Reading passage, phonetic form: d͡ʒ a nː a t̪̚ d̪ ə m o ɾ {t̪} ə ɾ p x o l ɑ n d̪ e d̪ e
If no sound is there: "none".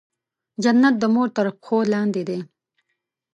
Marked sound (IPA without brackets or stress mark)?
t̪